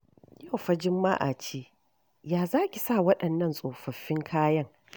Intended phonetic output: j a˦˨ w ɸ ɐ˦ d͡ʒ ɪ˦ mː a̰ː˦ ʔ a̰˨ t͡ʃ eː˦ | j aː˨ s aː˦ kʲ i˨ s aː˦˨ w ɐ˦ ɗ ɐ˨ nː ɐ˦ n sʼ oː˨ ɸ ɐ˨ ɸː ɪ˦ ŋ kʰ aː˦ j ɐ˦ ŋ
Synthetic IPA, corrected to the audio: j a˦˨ w ɸ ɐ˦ d͡ʒ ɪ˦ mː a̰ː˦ ʔ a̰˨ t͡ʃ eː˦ | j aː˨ z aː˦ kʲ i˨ s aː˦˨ w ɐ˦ ɗ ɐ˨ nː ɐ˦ n sʼ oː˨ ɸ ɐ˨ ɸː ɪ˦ ŋ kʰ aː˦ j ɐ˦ ŋ